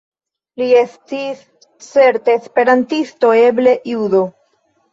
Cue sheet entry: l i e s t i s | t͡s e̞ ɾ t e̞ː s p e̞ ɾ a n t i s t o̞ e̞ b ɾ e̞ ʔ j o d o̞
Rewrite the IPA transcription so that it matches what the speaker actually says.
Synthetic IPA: l i e s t i s | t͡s e̞ ɾ t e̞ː s p e̞ ɾ a n t i s t o̞ e̞ b l e̞ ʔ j u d o̞